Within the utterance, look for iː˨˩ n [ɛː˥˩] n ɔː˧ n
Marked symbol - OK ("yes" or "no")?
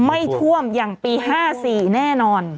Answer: yes